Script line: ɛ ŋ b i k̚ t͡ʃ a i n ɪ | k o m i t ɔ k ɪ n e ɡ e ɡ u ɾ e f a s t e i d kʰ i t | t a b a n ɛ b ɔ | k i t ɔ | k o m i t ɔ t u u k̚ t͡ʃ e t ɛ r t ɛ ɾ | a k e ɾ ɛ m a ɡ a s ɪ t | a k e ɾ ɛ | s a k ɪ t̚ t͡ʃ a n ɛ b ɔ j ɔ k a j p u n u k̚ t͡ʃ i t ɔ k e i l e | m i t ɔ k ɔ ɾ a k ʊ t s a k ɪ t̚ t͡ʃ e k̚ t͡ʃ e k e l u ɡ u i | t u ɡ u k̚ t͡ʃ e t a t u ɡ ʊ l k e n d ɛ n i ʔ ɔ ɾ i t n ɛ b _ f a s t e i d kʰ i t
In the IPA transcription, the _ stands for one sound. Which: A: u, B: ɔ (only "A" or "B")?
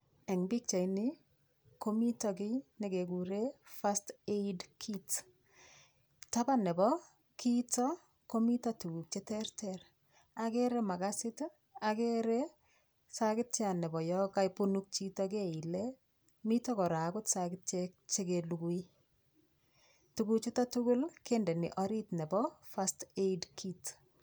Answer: B